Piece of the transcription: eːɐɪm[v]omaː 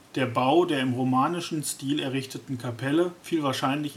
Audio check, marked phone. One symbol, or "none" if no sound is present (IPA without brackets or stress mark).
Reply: ʁ